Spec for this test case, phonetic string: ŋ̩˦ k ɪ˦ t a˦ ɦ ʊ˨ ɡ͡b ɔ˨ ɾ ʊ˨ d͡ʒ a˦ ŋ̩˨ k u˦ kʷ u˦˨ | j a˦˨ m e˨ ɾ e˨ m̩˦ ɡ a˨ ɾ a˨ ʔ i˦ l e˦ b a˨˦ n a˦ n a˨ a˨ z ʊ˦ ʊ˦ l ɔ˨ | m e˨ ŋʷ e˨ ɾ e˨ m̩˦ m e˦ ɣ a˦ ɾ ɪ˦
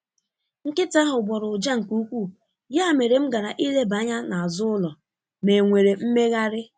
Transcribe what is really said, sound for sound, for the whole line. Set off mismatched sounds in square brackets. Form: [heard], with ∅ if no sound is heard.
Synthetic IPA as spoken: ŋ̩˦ k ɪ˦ t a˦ ɦ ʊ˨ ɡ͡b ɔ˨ ɾ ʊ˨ d͡ʒ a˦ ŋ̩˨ k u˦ kʷ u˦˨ | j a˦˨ m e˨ ɾ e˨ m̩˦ ɡ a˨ ɾ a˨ ʔ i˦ l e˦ b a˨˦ [ɲ] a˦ n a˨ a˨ z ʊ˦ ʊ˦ l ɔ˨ | m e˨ ŋʷ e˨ ɾ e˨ m̩˦ m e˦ ɣ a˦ ɾ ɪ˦